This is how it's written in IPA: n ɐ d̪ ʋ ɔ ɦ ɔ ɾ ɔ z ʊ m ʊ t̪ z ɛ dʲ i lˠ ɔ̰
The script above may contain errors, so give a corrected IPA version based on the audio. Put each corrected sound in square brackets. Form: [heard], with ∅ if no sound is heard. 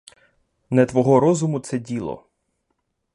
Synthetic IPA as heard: n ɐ [t̪] ʋ ɔ ɦ ɔ ɾ ɔ z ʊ m ʊ t̪ [s] ɛ dʲ i lˠ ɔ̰